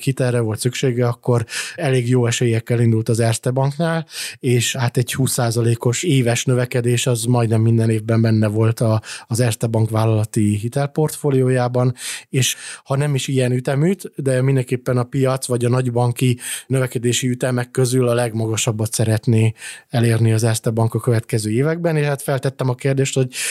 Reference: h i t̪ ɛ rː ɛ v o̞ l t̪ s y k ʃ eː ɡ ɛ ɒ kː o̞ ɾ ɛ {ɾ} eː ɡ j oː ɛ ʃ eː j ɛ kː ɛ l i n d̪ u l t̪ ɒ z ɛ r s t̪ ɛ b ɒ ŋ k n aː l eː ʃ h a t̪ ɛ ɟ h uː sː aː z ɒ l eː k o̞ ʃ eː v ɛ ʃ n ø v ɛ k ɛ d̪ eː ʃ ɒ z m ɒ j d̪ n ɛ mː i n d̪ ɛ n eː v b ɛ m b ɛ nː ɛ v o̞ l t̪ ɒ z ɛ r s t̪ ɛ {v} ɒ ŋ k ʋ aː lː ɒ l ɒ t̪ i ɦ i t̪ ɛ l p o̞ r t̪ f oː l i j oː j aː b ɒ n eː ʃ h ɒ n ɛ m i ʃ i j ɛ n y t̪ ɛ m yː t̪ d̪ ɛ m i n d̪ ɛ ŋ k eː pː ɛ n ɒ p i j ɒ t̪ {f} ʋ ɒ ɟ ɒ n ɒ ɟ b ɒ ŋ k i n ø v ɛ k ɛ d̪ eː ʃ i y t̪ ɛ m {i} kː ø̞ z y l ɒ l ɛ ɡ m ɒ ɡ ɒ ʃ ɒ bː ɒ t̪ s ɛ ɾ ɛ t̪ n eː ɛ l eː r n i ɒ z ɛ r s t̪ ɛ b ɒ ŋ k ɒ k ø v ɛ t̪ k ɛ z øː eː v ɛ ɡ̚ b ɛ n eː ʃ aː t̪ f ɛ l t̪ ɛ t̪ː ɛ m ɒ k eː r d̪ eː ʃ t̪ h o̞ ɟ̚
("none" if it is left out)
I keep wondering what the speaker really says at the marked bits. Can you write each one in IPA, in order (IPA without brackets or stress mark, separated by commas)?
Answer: l, b, s, ɛ